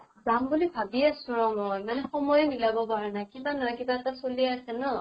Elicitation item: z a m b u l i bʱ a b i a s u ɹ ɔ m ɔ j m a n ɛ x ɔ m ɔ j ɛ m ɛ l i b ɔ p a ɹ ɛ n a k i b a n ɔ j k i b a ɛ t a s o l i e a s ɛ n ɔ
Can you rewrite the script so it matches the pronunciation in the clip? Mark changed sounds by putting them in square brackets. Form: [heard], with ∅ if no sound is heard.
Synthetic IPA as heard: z a m b u l i bʱ a b i a s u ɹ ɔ m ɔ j m a n ɛ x ɔ m ɔ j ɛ m [i] l [a] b ɔ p a ɹ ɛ n a k i b a n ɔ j k i b a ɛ t a s o l i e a s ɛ n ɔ